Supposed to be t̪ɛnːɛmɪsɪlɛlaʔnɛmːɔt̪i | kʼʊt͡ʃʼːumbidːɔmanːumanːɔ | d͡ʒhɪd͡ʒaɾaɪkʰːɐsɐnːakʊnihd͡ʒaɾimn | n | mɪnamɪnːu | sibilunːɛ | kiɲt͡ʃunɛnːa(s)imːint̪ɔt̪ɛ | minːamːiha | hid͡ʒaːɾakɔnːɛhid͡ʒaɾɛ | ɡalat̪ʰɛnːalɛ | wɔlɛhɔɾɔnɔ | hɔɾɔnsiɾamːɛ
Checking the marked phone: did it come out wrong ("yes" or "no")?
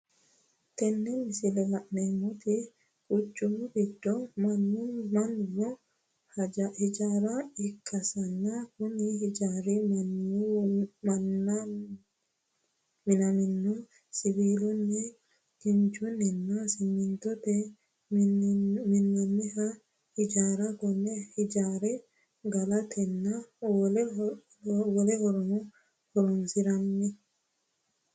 no